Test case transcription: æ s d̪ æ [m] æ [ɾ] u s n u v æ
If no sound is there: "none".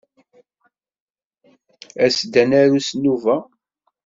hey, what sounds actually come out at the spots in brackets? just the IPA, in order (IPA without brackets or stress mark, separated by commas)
n, ɾ